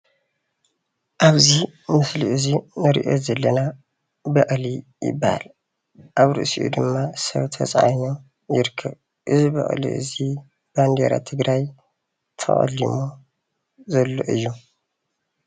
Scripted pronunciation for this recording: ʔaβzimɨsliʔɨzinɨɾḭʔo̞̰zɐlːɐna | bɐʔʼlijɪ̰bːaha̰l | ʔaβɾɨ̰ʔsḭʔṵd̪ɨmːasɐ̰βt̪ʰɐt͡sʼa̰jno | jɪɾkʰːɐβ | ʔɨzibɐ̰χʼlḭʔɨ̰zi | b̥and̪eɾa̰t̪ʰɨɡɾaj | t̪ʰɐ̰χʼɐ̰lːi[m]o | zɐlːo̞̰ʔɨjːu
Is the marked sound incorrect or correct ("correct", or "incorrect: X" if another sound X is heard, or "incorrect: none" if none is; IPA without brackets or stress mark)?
correct